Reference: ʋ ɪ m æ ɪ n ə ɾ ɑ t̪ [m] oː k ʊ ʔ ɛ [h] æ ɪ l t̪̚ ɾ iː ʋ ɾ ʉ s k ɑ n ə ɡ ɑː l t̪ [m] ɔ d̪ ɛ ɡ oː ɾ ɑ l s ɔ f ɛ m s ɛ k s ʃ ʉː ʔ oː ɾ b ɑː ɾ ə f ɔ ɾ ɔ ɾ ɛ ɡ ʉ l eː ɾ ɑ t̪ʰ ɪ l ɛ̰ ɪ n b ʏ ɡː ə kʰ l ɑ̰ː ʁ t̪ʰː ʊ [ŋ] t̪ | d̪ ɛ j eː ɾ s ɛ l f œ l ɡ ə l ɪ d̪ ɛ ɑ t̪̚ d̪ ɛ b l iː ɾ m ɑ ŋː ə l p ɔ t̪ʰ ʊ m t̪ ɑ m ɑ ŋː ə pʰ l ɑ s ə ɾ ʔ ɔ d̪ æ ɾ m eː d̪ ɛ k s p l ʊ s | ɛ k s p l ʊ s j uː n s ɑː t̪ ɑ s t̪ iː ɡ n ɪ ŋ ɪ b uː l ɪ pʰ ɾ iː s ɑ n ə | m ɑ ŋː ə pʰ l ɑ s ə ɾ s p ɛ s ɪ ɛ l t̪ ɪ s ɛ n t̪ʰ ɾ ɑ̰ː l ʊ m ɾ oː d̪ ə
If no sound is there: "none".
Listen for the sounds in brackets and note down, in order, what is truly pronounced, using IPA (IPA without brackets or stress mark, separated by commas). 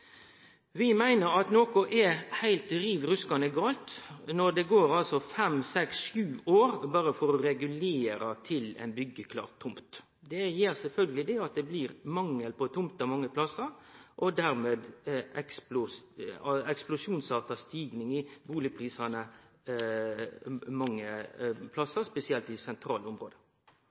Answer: n, h, n, m